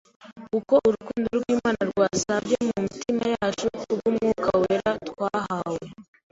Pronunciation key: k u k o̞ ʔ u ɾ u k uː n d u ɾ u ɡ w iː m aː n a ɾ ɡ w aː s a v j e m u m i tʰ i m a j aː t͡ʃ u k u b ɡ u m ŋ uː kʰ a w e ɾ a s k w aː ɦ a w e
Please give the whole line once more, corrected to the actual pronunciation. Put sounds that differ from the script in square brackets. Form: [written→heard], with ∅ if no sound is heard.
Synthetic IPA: k u k o̞ ʔ u ɾ u k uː n d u ɾ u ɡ w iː m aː n a ɾ ɡ w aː s a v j e m u m i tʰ i m a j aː t͡ʃ u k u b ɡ u m ŋ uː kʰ a w e ɾ a [s→t] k w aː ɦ a w e